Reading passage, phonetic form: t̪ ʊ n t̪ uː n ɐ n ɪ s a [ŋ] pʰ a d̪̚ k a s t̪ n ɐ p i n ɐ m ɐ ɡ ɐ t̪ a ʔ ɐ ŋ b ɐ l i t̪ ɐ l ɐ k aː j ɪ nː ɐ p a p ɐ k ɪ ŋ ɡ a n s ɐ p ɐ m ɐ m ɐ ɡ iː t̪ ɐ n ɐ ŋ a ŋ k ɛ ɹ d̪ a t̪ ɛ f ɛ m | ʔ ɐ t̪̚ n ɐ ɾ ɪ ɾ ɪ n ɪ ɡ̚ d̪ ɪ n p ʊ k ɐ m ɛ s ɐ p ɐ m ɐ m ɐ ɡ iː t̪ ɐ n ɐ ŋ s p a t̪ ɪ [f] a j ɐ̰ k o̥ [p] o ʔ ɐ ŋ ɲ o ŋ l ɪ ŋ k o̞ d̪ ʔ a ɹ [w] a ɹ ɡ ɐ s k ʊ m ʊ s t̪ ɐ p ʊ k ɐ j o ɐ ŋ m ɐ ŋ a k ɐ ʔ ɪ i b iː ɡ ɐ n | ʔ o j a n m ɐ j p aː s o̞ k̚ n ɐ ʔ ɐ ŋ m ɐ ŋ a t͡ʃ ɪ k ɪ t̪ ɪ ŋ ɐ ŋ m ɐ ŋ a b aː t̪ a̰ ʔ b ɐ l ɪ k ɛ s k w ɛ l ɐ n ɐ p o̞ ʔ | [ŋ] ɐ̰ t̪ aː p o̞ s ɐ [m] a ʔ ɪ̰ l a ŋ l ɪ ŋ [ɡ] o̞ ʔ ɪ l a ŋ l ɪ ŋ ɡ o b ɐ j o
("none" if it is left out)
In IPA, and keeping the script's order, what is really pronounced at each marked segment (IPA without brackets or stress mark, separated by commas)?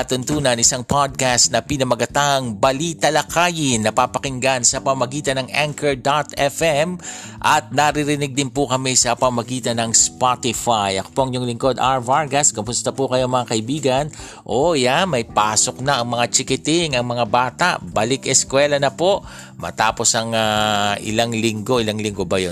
ŋ, f, p, v, m, ŋ, ɡ